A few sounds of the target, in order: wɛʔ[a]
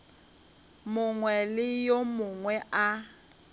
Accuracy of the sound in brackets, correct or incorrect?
correct